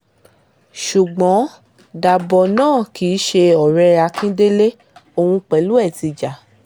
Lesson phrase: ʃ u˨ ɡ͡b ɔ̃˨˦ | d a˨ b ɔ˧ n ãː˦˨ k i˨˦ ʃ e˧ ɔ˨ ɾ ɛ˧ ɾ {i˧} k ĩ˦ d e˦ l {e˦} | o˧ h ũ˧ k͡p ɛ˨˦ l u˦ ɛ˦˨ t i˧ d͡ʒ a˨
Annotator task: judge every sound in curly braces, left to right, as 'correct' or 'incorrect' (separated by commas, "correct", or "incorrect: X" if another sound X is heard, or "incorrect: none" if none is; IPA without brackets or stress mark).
incorrect: a˧, correct